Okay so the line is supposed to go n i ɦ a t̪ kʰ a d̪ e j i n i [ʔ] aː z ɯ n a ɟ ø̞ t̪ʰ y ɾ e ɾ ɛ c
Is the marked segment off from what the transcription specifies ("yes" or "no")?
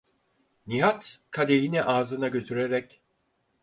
no